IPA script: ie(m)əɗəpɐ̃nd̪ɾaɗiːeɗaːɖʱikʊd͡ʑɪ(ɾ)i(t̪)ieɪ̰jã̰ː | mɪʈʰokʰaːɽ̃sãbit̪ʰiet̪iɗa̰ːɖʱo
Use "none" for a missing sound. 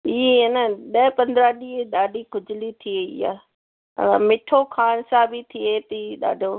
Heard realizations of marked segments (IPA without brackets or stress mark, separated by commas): n, l, t̪ʰ